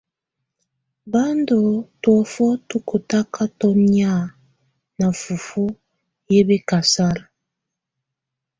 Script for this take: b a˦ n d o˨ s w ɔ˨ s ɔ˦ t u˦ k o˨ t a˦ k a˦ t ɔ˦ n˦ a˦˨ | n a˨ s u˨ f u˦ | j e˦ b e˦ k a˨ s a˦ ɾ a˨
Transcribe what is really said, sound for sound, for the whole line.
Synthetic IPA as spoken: b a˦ n d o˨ t w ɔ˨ f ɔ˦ t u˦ k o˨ t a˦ k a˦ t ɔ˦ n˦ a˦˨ | n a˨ f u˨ f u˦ | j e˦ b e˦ k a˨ s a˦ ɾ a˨